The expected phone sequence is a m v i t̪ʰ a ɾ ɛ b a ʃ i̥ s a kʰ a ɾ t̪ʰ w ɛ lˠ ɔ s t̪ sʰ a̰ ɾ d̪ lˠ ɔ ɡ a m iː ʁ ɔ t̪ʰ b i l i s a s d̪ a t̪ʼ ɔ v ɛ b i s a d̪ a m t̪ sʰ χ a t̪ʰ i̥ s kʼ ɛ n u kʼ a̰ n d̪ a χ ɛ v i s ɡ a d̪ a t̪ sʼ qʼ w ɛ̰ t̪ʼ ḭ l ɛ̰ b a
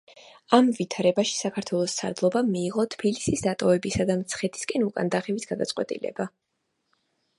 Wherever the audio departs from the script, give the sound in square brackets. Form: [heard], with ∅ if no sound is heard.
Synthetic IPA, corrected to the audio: a m v i t̪ʰ a ɾ ɛ b a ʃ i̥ s a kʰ a ɾ t̪ʰ w ɛ lˠ ɔ s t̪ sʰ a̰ ɾ d̪ lˠ ɔ [b] a m iː ʁ ɔ t̪ʰ b i l i s [i] s d̪ a t̪ʼ ɔ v ɛ b i s a d̪ a m t̪ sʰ χ [ɛ] t̪ʰ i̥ s kʼ ɛ n u kʼ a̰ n d̪ a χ ɛ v i s ɡ a d̪ a t̪ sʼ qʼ w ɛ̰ t̪ʼ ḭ l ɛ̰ b a